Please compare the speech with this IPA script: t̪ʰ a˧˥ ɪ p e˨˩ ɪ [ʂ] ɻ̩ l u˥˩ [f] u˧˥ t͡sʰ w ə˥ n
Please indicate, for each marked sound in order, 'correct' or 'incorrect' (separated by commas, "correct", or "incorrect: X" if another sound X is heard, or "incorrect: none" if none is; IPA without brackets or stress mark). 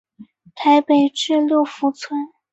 incorrect: ʈ͡ʂ, correct